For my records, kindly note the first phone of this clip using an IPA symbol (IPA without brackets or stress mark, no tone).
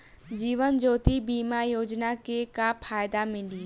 d͡ʒ